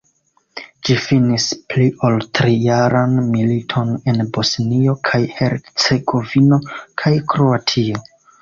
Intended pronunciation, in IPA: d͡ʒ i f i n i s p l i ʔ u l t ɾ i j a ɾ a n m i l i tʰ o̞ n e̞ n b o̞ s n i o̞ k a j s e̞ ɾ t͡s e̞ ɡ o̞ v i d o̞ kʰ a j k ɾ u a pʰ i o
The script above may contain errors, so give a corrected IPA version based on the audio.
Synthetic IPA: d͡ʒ i f i n i s p l i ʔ o l t ɾ i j a ɾ a n m i l i tʰ o̞ n e̞ n b o̞ s n i o̞ kʰ a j h e̞ ɾ t͡s e̞ ɡ o̞ v i n o̞ kʰ a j k ɾ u a tʰ i o